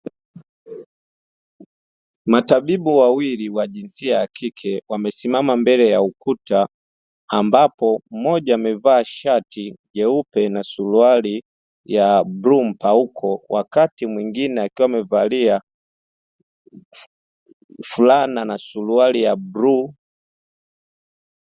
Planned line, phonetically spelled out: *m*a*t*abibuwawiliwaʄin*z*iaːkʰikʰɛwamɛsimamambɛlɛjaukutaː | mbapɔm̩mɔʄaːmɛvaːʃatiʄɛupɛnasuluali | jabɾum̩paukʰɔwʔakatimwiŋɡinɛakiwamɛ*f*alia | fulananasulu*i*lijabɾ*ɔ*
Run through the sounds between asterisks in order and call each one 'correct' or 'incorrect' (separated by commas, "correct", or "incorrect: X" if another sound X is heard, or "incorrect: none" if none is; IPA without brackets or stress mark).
correct, correct, incorrect: s, incorrect: v, incorrect: a, incorrect: u